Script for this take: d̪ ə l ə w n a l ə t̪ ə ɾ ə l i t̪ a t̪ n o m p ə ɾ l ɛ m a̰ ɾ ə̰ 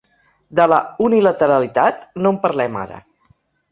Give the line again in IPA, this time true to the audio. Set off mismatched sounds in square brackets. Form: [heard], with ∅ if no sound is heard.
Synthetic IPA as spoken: d̪ ə l ə [u] n [i] l ə t̪ ə ɾ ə l i t̪ a t̪ n o m p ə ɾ l ɛ m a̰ ɾ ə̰